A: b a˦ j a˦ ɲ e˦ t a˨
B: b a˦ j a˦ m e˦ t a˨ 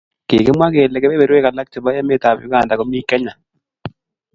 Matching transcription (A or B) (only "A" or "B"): B